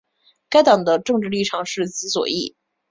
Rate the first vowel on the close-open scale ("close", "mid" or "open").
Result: open